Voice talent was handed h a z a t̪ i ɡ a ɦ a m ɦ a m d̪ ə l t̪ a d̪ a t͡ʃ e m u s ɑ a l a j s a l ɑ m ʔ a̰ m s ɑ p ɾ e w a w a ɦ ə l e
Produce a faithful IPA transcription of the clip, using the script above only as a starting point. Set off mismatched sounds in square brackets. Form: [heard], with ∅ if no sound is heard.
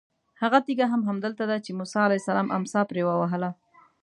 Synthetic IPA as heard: h a [ɣ] a t̪ i ɡ a ɦ a m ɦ a m d̪ ə l t̪ a d̪ a t͡ʃ e m u s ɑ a l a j s a l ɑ m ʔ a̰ m s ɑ p ɾ e w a w a ɦ ə l [a]

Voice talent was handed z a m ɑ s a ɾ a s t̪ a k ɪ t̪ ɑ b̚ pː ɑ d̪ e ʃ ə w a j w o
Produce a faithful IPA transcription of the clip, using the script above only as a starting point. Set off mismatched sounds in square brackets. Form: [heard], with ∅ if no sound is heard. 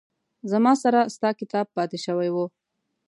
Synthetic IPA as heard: z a m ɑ s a ɾ a s t̪ [ɑ] k ɪ t̪ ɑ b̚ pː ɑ [t̪] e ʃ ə w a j w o

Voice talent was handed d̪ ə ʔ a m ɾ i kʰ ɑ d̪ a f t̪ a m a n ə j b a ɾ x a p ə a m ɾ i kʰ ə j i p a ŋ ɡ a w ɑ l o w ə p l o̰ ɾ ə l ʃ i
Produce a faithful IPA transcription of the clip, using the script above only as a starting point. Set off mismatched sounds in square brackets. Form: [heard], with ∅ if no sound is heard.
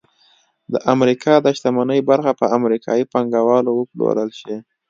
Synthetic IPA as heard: d̪ ə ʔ a m ɾ i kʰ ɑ d̪ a [ʃ] t̪ a m a n ə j b a ɾ x a p ə a m ɾ i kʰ [ɑ] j i p a ŋ ɡ a w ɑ l o w ə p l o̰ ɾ ə l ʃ i

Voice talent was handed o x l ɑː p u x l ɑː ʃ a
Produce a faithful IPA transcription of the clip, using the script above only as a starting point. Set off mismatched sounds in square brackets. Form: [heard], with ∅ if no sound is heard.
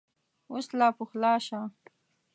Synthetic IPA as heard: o [s] l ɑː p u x l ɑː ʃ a

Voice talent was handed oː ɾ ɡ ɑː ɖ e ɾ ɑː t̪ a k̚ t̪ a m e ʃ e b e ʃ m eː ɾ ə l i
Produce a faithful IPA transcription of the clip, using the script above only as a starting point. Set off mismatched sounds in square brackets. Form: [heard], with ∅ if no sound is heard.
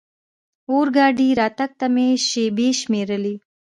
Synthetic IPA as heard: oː ɾ ɡ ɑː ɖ [i] ɾ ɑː t̪ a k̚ t̪ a m e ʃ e b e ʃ m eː ɾ ə l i

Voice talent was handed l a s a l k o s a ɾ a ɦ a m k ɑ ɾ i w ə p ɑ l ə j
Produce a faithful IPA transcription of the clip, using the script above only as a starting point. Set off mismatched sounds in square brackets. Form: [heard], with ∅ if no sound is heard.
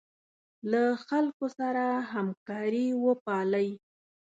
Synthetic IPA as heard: l a [x] a l k o s a ɾ a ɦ a m k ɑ ɾ i w ə p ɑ l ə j

